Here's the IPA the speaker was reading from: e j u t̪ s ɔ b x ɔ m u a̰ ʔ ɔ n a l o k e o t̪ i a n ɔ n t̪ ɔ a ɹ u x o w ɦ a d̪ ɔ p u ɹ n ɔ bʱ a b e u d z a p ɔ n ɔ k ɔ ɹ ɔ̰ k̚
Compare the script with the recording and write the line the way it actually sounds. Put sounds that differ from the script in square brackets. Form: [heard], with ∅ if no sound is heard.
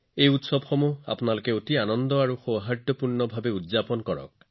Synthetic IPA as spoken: e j u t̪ s ɔ b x ɔ m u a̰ [p] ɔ n a l o k e o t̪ i a n ɔ n [d̪] ɔ a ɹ u x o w ɦ a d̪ ɔ p u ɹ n ɔ bʱ a b e u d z a p ɔ n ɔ k ɔ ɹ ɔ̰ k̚